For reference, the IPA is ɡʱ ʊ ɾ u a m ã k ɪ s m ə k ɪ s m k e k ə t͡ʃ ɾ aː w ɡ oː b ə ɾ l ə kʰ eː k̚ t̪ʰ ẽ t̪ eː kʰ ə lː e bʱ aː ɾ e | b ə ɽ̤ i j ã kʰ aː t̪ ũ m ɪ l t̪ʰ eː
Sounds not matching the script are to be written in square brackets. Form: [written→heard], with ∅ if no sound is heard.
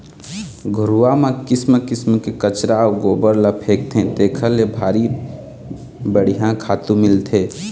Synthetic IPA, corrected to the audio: ɡʱ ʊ ɾ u a m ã k ɪ s m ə k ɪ s m k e k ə t͡ʃ ɾ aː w ɡ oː b ə ɾ l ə [kʰ→pʰ] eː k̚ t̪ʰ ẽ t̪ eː kʰ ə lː e bʱ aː ɾ [e→i] | b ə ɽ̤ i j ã kʰ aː t̪ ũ m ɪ l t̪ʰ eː